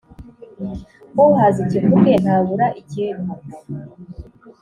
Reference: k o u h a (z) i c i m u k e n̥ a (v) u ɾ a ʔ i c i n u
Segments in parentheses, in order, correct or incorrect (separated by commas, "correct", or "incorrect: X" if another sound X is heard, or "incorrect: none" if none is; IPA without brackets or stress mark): correct, incorrect: β